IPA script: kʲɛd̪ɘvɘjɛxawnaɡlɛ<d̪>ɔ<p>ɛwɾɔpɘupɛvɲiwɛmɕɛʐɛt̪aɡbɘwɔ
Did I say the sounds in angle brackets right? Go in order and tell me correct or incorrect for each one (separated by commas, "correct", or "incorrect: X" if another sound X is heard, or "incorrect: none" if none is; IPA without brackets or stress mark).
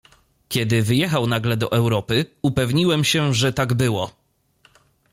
correct, incorrect: ʔ